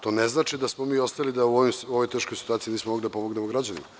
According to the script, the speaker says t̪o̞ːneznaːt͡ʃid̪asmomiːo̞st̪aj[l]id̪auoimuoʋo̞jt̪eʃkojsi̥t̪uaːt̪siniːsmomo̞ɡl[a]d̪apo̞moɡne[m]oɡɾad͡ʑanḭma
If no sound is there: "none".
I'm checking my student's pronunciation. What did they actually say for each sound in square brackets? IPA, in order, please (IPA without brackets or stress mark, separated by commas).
l, i, m